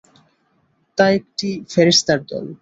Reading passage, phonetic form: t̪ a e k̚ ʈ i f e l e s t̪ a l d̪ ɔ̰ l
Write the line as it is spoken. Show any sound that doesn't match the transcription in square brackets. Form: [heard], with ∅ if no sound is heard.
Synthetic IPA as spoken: t̪ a e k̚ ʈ i f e [ɾ] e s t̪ a [ɾ] d̪ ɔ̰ l